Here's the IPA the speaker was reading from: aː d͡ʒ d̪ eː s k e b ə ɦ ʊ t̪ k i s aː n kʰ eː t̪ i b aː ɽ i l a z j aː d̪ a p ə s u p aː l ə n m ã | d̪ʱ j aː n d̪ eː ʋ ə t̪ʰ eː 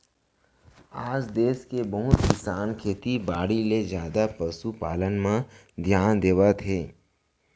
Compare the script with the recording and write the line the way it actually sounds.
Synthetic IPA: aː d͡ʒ d̪ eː s k e b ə ɦ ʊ t̪ k ɪ s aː n kʰ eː t̪ i b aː ɽ i l e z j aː d̪ a p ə s u p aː l ə n m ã | d̪ʱ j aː n d̪ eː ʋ a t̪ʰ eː